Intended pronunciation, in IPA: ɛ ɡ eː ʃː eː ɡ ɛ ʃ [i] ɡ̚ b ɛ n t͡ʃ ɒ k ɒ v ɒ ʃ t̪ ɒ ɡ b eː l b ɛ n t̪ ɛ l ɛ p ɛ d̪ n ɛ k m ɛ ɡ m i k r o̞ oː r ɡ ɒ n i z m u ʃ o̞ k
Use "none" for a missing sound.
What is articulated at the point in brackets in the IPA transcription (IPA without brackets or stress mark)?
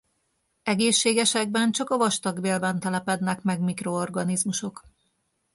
ɛ